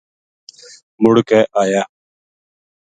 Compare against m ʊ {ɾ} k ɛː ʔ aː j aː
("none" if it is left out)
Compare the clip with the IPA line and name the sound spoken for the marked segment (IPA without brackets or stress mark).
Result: ɽ